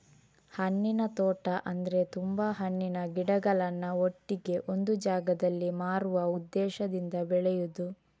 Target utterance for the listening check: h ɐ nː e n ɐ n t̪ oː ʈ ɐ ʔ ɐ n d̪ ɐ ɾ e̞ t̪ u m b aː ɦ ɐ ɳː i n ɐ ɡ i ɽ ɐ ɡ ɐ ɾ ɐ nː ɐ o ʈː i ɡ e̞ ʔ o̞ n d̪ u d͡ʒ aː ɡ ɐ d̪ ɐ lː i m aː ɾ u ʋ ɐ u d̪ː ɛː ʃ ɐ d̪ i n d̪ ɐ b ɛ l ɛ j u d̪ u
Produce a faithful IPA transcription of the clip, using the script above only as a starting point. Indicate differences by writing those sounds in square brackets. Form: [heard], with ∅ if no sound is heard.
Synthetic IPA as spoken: h ɐ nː [i] n ɐ [∅] t̪ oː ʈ ɐ ʔ ɐ n d̪ ɐ ɾ e̞ t̪ u m b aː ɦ ɐ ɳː i n ɐ ɡ i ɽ ɐ ɡ ɐ [ɭ] ɐ nː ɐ o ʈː i ɡ e̞ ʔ o̞ n d̪ u d͡ʒ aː ɡ ɐ d̪ ɐ lː i m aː ɾ u ʋ ɐ u d̪ː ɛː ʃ ɐ d̪ i n d̪ ɐ b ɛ [ɭ] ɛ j u d̪ u